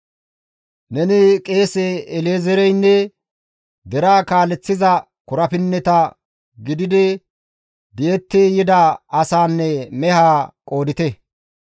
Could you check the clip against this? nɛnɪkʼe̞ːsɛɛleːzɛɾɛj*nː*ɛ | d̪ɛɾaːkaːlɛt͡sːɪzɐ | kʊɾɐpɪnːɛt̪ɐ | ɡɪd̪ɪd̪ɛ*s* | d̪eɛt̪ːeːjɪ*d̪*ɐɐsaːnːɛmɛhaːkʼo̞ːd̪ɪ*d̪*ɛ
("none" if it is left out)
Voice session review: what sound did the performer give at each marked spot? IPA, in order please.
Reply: nː, none, d̪, t̪

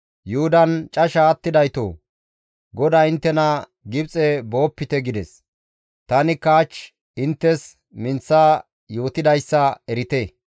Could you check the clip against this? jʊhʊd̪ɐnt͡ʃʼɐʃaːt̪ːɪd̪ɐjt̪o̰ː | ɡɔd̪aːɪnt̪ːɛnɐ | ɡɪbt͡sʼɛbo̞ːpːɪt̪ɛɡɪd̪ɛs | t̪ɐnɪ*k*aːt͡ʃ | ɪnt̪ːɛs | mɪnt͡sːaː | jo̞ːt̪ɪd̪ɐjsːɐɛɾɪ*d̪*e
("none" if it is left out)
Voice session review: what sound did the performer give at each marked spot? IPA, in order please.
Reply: k, t̪

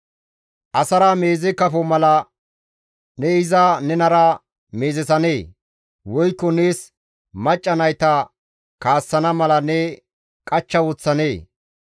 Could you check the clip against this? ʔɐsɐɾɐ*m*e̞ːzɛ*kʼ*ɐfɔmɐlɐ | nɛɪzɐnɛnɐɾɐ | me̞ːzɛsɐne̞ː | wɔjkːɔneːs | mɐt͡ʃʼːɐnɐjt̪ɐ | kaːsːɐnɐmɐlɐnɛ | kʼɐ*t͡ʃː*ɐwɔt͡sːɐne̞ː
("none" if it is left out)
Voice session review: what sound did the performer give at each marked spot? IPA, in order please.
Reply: m, k, t͡ʃː

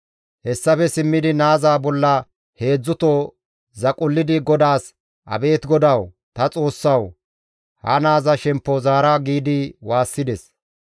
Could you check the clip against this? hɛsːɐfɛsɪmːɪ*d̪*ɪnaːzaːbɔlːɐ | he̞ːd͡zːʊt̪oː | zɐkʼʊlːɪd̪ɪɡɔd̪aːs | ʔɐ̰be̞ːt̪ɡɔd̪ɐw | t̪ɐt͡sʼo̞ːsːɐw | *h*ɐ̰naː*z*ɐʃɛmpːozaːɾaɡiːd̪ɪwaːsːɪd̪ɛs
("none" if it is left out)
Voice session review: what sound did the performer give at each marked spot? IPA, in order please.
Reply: d̪, h, z

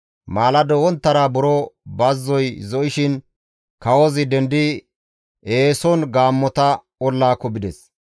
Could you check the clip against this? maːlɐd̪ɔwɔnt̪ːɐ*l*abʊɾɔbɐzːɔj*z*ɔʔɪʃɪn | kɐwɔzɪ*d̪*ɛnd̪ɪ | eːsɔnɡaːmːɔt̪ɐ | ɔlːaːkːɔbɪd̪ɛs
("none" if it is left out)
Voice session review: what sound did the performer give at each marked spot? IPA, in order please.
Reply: ɾ, z, d̪

